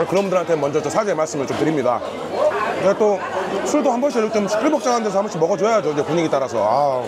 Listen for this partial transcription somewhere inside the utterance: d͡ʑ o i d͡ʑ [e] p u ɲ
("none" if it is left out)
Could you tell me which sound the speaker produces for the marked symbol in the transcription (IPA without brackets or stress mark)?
e